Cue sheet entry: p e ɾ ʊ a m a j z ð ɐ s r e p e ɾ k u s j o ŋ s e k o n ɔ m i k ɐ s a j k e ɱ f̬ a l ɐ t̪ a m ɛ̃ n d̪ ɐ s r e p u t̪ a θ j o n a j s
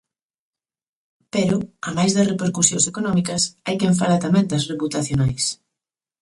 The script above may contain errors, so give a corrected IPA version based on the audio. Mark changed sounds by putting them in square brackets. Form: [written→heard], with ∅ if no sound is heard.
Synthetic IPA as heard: p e ɾ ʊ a m a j z ð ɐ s r e p e ɾ k u s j o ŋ s e k o n ɔ m i k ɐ s a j k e ɱ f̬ a l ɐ t̪ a m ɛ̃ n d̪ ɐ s r e p u t̪ a θ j o n a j s